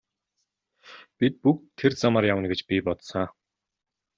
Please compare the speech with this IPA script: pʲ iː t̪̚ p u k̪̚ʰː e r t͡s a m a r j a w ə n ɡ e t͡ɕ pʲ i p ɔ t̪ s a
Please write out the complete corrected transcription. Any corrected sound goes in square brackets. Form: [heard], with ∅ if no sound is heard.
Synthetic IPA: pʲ [i] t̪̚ p u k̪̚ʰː e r t͡s a m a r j a w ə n ɡ e t͡ɕ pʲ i p ɔ t̪ s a